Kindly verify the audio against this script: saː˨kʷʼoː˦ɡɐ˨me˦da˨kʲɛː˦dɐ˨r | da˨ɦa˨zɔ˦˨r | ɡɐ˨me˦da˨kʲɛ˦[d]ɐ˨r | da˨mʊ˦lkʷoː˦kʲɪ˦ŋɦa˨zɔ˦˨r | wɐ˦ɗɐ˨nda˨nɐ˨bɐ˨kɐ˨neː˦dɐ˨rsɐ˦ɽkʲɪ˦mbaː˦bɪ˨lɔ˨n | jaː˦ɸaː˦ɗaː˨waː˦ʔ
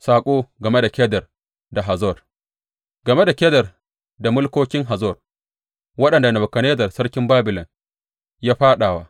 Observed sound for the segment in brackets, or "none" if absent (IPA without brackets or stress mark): d